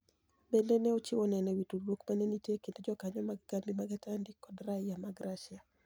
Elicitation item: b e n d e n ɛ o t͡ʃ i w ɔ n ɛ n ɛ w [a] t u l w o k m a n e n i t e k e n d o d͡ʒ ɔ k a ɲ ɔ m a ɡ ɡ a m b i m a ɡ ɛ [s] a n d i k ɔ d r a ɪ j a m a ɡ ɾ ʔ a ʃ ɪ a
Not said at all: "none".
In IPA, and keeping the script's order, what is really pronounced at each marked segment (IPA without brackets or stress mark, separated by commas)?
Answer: i, t